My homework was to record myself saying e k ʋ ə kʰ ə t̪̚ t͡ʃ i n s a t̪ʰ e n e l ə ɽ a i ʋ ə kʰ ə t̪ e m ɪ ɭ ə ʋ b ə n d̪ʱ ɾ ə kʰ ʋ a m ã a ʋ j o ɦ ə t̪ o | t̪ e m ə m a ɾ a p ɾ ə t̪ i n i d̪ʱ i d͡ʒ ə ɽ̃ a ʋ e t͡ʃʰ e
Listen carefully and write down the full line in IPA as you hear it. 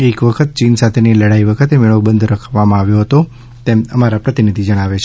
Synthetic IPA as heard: e k ʋ ə kʰ ə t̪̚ t͡ʃ i n s a t̪ʰ e n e l ə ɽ a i ʋ ə kʰ ə t̪ e m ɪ ɭ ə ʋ b ə n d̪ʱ ɾ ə kʰ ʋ a m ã a ʋ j o ɦ ə t̪ o | t̪ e m ə m a ɾ a p ɾ ə t̪ i n i d̪ʱ i d͡ʒ ə ɽ̃ a ʋ e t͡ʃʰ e

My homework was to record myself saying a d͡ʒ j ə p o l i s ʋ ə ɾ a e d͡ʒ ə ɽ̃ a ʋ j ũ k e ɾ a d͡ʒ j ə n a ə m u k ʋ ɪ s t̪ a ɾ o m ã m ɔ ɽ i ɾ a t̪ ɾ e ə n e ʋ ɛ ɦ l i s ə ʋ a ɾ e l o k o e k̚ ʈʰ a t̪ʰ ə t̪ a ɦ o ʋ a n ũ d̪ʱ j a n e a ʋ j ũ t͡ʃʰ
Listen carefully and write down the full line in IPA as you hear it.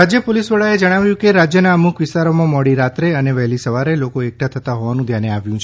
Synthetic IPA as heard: a d͡ʒ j ə p o l i s ʋ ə ɭ a e d͡ʒ ə ɽ̃ a ʋ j ũ k e ɾ a d͡ʒ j ə n a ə m u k ʋ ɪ s t̪ a ɾ o m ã m ɔ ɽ i ɾ a t̪ ɾ e ə n e ʋ ɛ ɦ l i s ə ʋ a ɾ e l o k o e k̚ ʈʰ a t̪ʰ ə t̪ a ɦ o ʋ a n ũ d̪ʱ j a n e a ʋ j ũ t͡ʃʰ

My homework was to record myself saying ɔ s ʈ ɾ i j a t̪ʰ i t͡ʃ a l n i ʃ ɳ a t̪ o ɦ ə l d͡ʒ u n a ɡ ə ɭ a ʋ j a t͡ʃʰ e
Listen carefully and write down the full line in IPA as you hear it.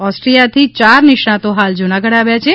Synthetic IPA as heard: ɔ s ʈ ɾ i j a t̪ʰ i t͡ʃ a ɾ n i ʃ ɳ a t̪ o ɦ a l d͡ʒ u n a ɡ ə ɽ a ʋ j a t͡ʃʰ e

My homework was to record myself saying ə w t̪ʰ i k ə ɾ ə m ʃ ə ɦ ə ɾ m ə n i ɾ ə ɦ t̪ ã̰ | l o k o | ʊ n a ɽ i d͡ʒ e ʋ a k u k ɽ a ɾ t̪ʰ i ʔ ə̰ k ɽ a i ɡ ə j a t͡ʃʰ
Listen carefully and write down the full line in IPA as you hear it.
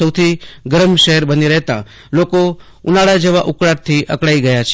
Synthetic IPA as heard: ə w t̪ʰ i ɡ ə ɾ ə m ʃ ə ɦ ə ɾ b ə n i ɾ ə ɦ t̪ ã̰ | l o k o | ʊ n a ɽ a d͡ʒ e ʋ a ʔ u k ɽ a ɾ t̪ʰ i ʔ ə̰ k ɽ a i ɡ ə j a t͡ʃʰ

